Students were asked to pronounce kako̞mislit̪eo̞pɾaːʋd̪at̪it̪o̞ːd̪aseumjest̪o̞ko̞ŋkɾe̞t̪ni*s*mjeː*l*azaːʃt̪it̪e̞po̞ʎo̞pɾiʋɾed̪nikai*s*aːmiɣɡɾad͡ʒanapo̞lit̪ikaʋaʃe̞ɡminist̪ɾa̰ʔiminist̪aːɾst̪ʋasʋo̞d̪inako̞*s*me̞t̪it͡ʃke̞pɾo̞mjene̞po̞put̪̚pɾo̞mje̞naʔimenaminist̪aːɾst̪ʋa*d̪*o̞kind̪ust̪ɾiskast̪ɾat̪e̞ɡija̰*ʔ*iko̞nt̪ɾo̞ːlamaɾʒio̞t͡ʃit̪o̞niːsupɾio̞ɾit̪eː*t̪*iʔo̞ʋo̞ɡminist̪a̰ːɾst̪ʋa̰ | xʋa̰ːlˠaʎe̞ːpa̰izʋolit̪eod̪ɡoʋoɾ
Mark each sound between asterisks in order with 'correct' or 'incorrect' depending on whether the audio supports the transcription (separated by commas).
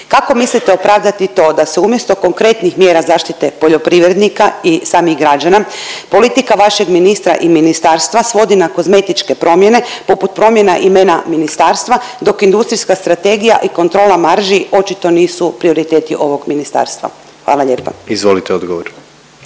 incorrect, incorrect, correct, incorrect, correct, correct, correct